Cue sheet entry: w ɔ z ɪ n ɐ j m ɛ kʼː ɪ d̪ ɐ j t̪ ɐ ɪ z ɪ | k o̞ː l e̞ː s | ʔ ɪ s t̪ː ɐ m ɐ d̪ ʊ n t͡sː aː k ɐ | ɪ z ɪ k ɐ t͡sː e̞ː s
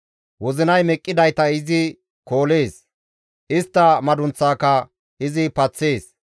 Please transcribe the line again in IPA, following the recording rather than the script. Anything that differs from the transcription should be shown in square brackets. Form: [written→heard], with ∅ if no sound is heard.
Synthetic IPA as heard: w ɔ z ɪ n ɐ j m ɛ kʼː ɪ d̪ ɐ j t̪ ɐ ɪ z ɪ | k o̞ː l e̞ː s | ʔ ɪ s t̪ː ɐ m ɐ d̪ ʊ n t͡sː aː k ɐ | ɪ z ɪ [k→p] ɐ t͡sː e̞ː s